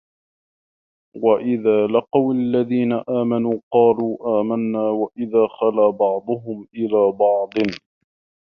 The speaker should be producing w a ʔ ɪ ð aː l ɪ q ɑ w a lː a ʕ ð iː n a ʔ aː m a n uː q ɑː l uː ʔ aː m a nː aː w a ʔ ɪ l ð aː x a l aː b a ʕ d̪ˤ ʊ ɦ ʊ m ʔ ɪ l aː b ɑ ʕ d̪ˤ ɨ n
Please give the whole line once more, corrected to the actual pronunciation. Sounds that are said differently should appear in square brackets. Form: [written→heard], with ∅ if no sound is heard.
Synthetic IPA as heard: w a ʔ ɪ ð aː l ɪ q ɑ w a lː a [ʕ→∅] ð iː n a ʔ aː m a n uː q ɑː l uː ʔ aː m a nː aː w a ʔ ɪ [l→∅] ð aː x a l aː b [a→ɑ] ʕ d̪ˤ ʊ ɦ ʊ m ʔ ɪ l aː b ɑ ʕ d̪ˤ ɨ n